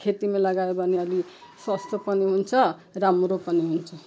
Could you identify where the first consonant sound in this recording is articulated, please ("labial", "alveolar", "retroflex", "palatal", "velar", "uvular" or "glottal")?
velar